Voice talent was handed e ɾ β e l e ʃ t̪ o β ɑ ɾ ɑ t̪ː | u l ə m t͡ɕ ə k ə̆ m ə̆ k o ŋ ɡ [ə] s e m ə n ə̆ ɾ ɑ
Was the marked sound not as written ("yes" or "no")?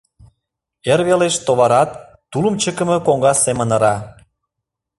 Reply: yes